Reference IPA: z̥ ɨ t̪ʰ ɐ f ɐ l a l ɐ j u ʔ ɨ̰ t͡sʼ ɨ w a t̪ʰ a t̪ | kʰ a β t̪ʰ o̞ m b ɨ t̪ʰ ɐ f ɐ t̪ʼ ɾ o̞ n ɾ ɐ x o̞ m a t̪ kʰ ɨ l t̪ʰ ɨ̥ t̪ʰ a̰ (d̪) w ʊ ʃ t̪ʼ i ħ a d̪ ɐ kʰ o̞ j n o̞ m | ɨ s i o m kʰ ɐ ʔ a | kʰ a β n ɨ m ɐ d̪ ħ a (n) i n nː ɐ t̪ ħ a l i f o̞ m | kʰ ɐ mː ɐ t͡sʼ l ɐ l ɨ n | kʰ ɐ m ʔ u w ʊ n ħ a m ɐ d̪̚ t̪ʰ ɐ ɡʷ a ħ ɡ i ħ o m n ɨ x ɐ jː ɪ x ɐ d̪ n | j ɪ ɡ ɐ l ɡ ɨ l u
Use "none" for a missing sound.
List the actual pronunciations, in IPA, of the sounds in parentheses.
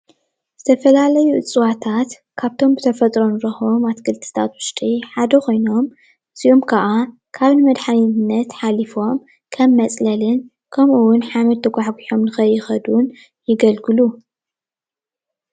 t̪, n

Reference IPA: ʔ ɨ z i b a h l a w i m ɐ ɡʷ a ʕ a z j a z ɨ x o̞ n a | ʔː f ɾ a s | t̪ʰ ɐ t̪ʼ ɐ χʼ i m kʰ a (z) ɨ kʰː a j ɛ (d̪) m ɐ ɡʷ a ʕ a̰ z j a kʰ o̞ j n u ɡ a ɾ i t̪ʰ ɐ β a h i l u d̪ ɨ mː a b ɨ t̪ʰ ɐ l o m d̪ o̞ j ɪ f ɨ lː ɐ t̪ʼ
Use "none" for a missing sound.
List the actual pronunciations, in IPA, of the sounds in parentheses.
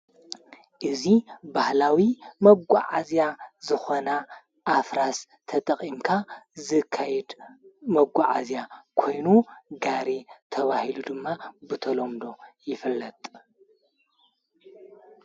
z, d̪

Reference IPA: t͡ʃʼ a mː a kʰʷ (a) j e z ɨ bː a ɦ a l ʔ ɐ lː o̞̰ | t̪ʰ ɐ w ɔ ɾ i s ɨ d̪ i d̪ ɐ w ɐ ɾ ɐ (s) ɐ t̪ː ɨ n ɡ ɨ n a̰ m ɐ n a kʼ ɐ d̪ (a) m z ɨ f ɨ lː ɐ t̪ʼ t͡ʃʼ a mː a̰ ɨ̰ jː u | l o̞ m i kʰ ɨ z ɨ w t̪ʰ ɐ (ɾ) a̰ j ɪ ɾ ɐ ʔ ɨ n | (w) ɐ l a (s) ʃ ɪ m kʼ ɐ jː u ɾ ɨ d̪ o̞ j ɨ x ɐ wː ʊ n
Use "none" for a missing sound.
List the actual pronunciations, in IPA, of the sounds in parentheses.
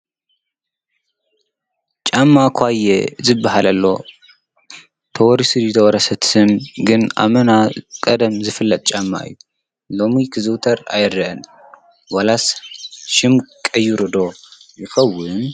a, s, ɐ, ɾ, w, s

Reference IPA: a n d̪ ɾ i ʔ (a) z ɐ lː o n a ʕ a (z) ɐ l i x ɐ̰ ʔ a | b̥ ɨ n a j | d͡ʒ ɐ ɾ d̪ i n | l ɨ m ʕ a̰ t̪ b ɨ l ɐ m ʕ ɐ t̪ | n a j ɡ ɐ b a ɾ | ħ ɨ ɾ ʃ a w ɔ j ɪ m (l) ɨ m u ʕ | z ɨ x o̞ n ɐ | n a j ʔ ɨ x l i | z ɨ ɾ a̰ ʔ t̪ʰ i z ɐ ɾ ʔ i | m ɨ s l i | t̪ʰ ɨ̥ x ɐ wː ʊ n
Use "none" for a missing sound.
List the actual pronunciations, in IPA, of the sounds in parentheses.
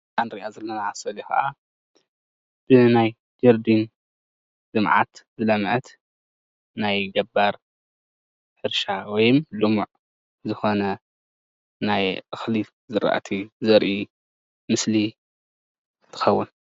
a, s, l

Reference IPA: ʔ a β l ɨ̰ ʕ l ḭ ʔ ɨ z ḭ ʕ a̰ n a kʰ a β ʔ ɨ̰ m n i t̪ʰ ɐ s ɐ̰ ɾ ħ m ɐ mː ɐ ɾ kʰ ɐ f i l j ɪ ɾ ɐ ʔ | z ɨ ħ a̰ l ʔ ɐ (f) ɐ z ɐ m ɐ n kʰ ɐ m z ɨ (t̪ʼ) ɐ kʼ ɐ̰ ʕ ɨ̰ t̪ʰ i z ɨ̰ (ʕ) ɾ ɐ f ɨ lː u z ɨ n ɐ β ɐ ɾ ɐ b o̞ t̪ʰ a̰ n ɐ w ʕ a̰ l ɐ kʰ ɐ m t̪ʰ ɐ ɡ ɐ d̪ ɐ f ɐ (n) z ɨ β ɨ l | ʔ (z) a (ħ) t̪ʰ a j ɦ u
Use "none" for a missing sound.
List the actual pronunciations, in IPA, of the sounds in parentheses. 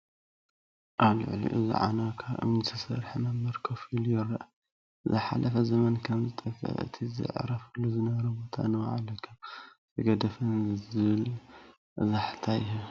f, t̪ʼ, ʕ, n, z, ħ

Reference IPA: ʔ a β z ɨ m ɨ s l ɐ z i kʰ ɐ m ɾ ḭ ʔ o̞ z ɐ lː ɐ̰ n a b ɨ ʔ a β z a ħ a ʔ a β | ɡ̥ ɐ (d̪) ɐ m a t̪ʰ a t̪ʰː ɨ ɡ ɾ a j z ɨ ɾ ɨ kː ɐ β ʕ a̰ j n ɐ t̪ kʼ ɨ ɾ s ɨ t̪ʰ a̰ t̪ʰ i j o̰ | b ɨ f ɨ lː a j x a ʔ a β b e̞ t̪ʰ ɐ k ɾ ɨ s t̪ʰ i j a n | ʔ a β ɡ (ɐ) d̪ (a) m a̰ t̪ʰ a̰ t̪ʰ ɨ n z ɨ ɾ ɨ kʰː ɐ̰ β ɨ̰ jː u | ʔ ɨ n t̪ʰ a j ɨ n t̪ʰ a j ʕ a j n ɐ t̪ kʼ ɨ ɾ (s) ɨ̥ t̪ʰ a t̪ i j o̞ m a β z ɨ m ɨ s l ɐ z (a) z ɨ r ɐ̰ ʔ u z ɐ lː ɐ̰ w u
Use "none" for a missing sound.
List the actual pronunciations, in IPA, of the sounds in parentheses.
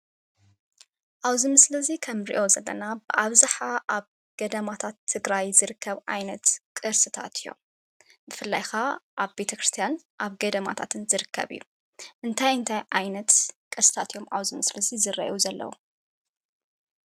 d̪, ɐ, ɐ, s, i

